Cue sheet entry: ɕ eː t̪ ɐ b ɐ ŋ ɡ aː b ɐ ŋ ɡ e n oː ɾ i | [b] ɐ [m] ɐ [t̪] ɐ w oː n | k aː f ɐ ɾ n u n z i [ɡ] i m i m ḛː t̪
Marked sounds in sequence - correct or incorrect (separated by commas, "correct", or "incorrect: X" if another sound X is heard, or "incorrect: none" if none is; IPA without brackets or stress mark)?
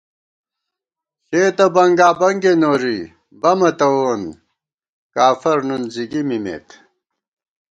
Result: correct, correct, correct, correct